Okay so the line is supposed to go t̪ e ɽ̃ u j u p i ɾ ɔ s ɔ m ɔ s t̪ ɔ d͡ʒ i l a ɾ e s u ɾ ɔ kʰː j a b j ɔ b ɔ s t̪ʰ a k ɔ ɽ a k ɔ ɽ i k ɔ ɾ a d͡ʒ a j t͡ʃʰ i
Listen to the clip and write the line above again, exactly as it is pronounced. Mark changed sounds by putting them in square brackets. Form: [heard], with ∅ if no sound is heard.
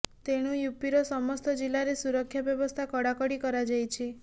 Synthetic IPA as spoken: t̪ e ɽ̃ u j u p i ɾ ɔ s ɔ m ɔ s t̪ ɔ d͡ʒ i l a ɾ e s u ɾ ɔ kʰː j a b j ɔ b ɔ s t̪ʰ a k ɔ ɽ a k ɔ ɽ i k ɔ ɾ a d͡ʒ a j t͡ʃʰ i